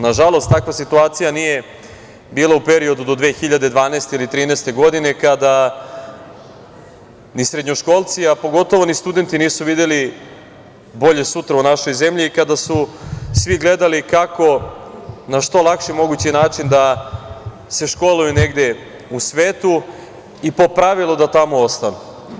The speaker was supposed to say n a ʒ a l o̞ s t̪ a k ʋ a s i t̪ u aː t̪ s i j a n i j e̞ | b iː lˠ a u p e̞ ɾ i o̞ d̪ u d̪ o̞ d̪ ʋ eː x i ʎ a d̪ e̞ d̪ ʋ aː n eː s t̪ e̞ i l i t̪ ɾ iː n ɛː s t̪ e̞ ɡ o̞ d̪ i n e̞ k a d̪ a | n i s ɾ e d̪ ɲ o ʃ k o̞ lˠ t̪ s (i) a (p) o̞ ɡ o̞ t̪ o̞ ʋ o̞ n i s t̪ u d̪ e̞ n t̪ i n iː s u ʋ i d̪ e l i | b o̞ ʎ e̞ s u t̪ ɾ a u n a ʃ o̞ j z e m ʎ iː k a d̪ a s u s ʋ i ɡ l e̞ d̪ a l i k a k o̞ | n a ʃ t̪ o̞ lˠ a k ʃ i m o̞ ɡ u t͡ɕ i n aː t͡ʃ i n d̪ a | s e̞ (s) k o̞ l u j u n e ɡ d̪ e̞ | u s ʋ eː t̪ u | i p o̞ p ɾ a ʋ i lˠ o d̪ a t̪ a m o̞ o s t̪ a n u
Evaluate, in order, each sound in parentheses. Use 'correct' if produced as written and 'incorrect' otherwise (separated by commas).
correct, correct, incorrect